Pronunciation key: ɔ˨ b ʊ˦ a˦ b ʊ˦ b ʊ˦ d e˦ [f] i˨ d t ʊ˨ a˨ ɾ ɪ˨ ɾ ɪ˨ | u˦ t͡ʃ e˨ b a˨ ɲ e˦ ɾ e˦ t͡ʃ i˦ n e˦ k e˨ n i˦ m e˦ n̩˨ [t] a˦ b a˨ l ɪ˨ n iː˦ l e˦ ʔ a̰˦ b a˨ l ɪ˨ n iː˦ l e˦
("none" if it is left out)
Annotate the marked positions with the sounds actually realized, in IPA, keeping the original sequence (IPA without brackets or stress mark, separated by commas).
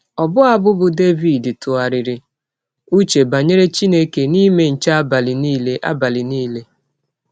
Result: v, t͡ʃ